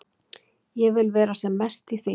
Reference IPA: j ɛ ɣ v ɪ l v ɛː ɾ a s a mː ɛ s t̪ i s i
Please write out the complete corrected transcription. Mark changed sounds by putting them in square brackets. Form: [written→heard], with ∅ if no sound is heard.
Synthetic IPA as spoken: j ɛ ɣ v ɪ l v ɛː ɾ a s [a→ɛ] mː ɛ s t̪ i [s→θ] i